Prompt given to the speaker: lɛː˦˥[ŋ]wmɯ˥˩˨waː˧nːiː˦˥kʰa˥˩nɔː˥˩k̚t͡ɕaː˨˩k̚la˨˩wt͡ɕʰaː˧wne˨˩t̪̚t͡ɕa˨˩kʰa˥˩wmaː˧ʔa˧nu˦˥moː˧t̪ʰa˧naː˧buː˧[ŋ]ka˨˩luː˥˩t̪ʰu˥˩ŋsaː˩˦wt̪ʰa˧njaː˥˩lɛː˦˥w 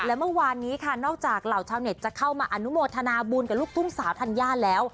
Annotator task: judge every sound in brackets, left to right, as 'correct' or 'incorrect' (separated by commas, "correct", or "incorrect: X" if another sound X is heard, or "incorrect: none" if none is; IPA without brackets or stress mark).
incorrect: none, incorrect: n